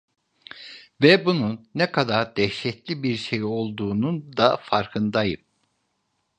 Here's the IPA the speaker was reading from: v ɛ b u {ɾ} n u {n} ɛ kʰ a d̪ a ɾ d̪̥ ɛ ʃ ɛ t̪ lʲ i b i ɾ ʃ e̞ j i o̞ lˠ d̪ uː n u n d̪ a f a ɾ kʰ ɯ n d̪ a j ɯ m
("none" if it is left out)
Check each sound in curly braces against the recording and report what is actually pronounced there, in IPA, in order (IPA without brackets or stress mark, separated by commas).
none, nː